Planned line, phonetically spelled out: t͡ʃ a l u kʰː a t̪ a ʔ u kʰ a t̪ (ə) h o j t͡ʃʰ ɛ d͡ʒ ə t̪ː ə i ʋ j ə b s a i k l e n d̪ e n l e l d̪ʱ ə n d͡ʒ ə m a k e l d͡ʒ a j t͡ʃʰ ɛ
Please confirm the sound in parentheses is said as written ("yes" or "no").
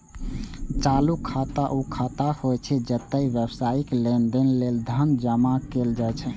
no